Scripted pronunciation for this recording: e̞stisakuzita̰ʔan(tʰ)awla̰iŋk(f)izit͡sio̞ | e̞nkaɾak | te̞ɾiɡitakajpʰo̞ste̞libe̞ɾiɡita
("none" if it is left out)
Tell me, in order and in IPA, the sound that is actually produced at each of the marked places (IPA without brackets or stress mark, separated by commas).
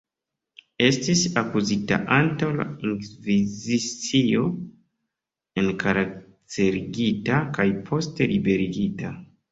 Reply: t, v